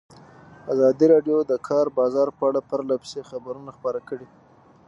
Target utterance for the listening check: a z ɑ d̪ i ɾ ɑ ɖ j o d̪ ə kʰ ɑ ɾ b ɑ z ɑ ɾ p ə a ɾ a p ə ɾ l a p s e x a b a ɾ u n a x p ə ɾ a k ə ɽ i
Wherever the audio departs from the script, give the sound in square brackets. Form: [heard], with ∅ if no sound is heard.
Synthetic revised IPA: a z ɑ d̪ i ɾ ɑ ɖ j o d̪ ə kʰ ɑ ɾ b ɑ z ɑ ɾ p ə a [ɽ] a p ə ɾ l a p s e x a b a ɾ u n a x p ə ɾ a k ə ɽ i